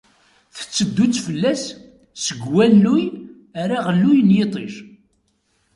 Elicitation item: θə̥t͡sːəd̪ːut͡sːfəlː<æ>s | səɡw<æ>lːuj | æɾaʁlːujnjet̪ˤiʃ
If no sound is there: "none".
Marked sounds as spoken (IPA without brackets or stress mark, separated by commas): æ, æ